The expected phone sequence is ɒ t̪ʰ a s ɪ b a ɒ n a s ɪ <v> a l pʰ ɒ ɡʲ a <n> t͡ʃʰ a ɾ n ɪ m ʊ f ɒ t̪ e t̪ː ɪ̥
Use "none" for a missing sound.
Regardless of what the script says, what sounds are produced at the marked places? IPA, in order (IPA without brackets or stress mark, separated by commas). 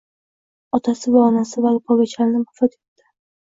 v, none